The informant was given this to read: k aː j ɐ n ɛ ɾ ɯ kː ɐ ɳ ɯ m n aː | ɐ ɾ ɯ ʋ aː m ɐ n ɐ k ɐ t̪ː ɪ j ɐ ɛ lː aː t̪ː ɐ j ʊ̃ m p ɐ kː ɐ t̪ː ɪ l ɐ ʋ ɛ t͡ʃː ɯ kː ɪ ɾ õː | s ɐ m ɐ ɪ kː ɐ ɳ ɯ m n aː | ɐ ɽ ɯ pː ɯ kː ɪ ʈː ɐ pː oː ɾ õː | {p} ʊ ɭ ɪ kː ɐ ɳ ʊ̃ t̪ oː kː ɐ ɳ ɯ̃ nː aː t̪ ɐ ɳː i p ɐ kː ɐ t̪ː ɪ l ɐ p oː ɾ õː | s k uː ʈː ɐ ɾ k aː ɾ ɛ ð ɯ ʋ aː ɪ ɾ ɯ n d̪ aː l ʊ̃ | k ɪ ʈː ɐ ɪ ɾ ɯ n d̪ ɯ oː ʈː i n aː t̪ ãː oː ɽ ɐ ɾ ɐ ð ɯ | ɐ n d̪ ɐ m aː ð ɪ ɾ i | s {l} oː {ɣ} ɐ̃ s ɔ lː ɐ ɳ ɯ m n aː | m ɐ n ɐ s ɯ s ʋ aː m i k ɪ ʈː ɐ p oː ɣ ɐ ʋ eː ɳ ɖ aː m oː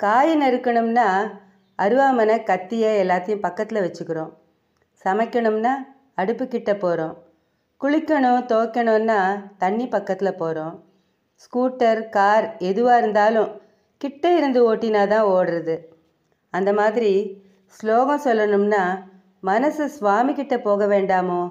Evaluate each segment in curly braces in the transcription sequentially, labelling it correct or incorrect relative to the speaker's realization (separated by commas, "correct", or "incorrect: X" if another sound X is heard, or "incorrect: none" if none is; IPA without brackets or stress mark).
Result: incorrect: k, correct, correct